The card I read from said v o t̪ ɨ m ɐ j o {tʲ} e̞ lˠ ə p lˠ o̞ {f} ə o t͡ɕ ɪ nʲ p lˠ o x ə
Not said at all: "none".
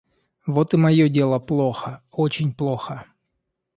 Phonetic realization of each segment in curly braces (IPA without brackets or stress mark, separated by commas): dʲ, x